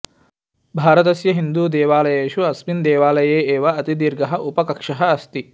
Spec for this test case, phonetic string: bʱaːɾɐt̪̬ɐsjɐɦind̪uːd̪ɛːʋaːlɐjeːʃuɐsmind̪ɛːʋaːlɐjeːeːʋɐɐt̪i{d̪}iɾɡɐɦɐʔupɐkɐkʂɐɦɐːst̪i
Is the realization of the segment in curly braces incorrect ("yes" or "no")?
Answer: no